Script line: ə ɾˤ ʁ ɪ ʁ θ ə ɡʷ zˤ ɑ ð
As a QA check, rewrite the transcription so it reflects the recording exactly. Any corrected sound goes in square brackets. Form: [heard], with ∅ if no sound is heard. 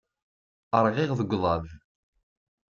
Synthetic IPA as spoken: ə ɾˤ ʁ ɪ ʁ [ð] ə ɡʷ [ðˤ] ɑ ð